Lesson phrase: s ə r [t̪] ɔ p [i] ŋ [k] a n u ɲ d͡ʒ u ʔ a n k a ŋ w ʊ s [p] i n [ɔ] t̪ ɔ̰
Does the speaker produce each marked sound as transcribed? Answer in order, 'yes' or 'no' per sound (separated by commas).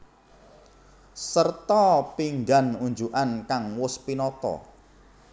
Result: yes, yes, no, yes, yes